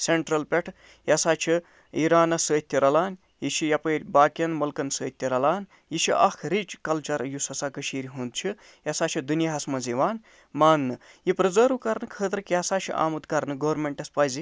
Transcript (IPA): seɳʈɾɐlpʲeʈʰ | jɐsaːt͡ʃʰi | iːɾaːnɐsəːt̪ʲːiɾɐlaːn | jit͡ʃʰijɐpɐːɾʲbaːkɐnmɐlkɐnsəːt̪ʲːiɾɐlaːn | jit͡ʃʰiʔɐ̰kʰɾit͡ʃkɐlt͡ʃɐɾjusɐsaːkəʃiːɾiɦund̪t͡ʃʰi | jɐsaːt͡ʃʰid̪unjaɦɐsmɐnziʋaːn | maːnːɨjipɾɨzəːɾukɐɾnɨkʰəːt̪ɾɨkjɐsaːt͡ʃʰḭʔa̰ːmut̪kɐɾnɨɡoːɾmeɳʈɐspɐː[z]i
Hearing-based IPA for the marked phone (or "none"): z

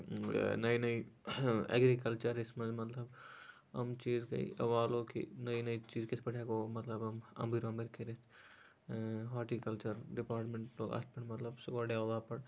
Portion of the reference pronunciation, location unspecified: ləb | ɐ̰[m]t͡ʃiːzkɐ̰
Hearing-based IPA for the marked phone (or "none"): m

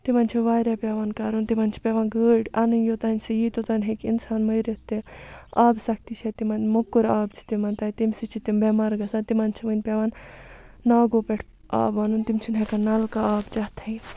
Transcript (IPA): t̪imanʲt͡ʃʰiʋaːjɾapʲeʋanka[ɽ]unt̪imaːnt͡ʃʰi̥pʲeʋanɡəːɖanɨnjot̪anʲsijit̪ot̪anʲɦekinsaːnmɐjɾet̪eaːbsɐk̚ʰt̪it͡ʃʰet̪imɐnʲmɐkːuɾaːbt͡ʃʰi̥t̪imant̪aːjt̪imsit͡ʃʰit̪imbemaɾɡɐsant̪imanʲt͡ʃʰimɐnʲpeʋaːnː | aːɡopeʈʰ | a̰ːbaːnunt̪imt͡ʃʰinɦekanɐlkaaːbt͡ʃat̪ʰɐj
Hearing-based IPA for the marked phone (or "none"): ɾ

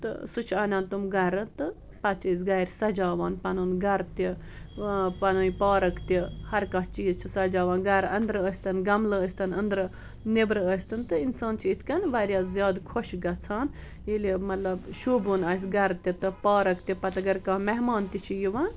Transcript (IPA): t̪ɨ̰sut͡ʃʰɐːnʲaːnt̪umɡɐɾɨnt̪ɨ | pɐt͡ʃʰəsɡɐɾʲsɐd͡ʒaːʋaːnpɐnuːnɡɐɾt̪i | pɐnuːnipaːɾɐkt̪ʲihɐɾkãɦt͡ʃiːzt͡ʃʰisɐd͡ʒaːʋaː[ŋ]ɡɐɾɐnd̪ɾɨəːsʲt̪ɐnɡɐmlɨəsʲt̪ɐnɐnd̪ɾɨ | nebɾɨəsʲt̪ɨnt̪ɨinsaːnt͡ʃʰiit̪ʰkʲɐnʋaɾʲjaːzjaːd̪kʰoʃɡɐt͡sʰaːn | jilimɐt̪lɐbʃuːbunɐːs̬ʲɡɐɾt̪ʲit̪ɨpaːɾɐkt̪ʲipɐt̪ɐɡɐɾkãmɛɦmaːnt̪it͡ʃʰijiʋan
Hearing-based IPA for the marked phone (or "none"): n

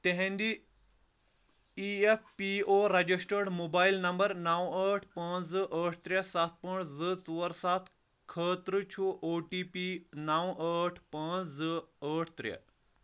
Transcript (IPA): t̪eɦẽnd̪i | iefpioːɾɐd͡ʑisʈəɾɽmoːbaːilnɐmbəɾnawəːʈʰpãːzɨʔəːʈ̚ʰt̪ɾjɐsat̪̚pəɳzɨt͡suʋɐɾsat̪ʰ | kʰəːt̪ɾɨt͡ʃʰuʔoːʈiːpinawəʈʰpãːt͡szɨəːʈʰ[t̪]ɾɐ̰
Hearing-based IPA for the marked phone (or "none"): t̪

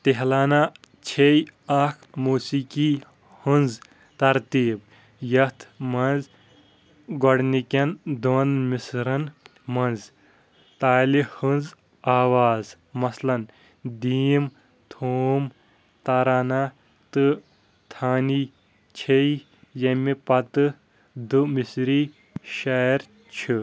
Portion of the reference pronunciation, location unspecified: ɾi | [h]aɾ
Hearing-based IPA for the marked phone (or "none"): ʃ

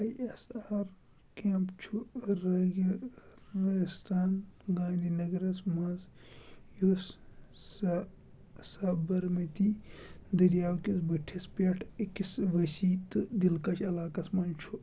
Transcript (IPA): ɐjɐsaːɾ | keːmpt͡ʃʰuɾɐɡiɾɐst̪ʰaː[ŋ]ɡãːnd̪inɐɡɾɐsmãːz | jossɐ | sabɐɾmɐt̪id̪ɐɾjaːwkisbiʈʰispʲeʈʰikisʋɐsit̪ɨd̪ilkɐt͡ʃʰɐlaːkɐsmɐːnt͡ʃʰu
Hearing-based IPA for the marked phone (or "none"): n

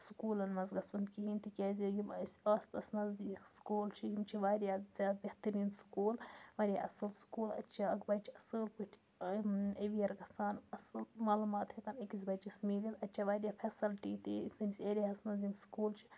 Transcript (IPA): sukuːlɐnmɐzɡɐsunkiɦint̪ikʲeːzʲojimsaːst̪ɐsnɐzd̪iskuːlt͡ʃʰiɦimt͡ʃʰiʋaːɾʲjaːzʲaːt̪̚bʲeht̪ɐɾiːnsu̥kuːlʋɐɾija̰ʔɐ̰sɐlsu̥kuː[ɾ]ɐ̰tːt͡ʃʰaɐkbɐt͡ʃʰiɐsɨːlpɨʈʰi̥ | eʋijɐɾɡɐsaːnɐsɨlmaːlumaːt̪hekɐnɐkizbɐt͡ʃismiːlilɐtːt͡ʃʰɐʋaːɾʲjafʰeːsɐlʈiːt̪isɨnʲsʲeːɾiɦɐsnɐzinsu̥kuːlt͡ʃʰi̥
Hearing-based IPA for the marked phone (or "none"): l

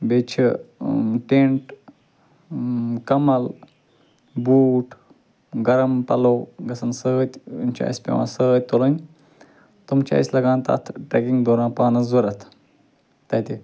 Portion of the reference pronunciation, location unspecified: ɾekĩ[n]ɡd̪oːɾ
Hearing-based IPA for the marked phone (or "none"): ŋ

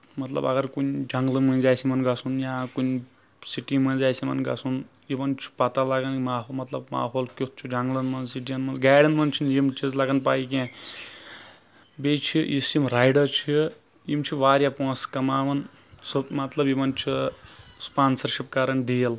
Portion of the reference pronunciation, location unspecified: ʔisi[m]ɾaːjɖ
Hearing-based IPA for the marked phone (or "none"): m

